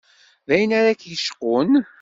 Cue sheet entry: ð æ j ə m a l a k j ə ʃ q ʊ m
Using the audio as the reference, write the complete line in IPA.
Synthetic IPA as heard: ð æ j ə n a ɾ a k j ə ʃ q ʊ n